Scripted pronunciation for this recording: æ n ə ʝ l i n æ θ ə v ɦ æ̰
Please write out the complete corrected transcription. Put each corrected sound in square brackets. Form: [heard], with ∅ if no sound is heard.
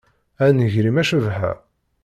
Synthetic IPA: æ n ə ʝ [ɾ] i [m] æ [ʃ] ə v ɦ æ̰

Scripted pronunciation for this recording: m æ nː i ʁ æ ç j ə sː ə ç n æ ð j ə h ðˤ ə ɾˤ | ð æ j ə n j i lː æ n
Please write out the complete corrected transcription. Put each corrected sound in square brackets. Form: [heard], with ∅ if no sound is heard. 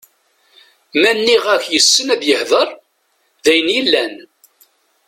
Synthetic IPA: m æ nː i ʁ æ ç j ə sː ə [∅] n æ ð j ə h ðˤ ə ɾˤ | ð æ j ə n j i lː æ n

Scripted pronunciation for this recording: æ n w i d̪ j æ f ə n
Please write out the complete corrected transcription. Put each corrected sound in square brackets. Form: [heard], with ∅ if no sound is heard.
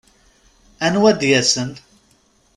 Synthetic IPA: æ n w [æ] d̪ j æ [s] ə n

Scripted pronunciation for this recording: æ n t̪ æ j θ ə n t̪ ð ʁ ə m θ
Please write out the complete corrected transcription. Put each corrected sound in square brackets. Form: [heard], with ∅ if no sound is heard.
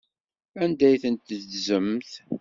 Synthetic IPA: æ n [d̪] æ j θ ə n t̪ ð [z] ə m θ

